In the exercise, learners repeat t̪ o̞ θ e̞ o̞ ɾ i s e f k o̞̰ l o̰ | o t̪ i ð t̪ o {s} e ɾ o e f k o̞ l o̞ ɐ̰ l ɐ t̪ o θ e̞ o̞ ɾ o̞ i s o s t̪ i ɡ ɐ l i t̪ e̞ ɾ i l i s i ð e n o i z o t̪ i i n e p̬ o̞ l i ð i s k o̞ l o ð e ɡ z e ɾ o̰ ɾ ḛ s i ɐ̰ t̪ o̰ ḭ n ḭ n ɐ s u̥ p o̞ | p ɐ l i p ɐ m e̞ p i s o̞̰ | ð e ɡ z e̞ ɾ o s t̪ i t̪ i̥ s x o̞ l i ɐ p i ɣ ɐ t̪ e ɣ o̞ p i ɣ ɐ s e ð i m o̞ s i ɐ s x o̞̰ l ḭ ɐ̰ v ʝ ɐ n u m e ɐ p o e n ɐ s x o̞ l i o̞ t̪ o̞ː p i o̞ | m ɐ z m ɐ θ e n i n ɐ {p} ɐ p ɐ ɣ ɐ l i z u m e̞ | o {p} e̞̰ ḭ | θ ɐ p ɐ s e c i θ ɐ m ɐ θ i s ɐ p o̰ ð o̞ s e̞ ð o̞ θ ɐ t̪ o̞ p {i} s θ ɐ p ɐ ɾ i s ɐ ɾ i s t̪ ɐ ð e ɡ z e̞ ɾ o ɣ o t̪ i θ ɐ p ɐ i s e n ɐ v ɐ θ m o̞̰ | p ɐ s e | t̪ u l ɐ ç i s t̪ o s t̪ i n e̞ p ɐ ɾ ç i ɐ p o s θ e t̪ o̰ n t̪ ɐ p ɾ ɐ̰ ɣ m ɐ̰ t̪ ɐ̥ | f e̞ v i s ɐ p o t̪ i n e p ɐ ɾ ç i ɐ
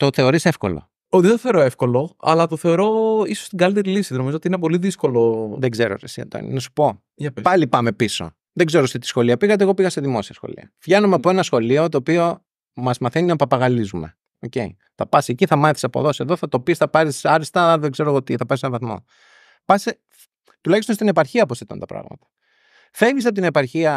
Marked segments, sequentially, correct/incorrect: incorrect, correct, incorrect, correct

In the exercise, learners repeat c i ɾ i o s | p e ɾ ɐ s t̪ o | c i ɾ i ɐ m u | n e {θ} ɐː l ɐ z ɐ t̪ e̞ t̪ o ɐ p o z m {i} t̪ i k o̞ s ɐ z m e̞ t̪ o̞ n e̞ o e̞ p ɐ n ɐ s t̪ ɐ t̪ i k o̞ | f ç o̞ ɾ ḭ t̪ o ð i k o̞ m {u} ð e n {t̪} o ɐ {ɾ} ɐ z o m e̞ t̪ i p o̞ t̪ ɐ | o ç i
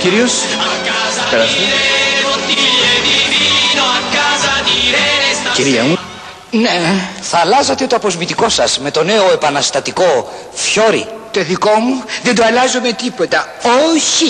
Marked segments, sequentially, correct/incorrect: correct, correct, correct, incorrect, incorrect

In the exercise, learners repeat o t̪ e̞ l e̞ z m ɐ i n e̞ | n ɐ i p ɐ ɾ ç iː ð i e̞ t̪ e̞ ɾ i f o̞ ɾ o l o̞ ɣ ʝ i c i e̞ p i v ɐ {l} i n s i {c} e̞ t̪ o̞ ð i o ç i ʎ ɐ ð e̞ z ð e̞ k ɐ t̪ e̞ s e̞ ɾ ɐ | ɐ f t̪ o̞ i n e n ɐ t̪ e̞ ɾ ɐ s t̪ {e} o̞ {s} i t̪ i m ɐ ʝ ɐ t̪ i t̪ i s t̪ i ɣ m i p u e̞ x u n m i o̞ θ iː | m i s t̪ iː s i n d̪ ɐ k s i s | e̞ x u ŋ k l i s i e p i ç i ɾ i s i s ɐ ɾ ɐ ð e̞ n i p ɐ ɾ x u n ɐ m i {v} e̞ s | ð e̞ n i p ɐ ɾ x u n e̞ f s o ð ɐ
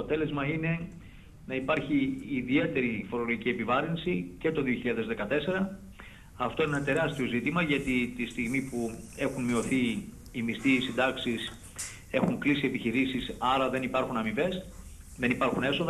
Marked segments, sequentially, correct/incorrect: incorrect, correct, incorrect, incorrect, correct

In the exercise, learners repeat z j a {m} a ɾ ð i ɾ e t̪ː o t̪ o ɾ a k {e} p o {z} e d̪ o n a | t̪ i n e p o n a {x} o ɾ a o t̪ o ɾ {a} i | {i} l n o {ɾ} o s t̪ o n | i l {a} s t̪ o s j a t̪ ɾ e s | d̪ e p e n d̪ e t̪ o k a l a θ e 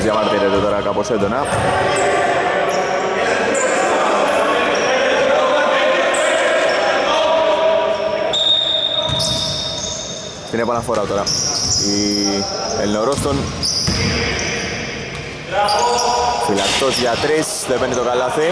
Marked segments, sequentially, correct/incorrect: correct, incorrect, incorrect, incorrect, correct, incorrect, correct, correct

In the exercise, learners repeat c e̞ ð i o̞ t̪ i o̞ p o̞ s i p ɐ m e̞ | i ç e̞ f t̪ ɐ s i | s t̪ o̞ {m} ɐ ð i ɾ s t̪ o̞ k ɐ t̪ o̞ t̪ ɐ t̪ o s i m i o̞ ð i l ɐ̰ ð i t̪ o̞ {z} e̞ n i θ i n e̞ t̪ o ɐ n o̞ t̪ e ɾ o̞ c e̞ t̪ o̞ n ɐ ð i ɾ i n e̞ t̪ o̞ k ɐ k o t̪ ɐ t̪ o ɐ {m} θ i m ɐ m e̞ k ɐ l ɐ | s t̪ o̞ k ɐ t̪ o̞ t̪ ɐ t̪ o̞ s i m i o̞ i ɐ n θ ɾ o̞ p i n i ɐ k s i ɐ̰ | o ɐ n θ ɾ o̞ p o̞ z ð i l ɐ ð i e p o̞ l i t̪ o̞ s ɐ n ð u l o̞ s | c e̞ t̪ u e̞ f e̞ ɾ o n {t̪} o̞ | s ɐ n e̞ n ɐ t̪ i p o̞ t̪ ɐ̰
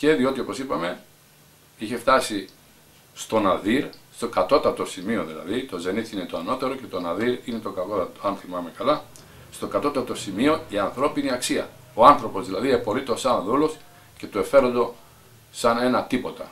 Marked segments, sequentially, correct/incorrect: incorrect, correct, incorrect, incorrect

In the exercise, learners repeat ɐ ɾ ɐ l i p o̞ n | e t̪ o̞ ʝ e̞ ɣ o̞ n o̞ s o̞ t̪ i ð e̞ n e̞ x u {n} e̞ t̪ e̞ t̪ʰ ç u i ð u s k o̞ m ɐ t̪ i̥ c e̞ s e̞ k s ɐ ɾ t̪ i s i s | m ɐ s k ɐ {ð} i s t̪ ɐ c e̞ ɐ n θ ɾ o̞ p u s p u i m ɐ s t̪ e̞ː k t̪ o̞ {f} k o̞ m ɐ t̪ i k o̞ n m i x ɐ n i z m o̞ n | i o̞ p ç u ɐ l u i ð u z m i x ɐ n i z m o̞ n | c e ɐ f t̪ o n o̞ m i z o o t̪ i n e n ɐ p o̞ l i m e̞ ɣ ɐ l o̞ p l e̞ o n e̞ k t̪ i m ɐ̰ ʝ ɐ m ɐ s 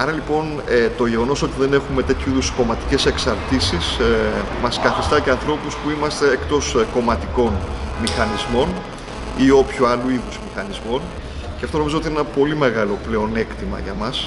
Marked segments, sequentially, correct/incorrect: incorrect, incorrect, incorrect

